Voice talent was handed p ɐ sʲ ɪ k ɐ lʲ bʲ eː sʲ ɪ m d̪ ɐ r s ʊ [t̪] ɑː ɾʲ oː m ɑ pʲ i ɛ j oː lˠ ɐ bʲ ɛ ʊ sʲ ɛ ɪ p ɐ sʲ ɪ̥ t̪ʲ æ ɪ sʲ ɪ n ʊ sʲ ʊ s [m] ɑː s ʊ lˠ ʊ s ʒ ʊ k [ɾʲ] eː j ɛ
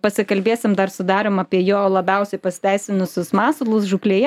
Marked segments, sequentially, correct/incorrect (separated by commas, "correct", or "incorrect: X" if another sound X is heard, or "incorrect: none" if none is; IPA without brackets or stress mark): incorrect: d̪, correct, incorrect: lʲ